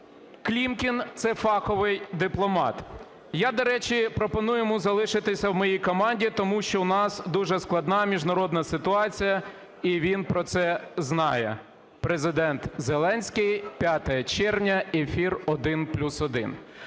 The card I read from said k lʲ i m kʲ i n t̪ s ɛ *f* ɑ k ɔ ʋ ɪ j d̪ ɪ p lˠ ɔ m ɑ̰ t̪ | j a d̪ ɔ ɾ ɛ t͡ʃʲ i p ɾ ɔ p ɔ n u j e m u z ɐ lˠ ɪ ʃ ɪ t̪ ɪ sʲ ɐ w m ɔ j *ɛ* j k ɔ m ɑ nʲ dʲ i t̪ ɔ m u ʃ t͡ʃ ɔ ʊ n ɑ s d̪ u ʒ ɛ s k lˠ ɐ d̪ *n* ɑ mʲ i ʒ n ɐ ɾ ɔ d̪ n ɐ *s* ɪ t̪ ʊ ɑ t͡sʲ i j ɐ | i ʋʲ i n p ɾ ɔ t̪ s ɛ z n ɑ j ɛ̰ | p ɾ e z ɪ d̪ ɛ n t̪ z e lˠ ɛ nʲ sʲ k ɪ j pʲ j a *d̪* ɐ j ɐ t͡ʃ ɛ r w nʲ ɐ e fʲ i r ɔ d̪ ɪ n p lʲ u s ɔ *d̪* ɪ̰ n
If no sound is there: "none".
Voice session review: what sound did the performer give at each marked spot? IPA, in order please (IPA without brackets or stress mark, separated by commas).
f, i, n, s, t̪, d̪